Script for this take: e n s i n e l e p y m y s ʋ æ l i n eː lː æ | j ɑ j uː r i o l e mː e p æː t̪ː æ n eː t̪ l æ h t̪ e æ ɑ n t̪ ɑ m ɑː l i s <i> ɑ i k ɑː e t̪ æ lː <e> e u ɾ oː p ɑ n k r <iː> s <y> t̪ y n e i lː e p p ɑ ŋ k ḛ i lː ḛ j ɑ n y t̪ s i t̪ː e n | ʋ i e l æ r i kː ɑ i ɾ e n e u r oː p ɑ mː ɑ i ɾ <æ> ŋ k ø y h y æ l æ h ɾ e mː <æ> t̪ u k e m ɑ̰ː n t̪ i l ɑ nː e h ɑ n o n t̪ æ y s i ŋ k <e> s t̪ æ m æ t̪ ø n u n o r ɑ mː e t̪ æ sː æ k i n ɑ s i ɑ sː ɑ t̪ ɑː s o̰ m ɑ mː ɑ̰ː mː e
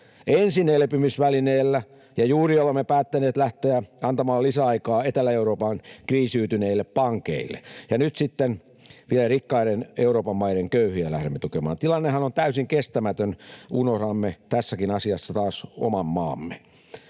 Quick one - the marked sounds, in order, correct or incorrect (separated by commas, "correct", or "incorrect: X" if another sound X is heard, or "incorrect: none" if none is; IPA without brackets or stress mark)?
incorrect: æ, incorrect: æ, correct, incorrect: yː, incorrect: e, incorrect: e, correct